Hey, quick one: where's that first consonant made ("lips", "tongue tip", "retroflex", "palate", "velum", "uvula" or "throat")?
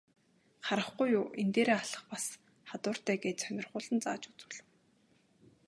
uvula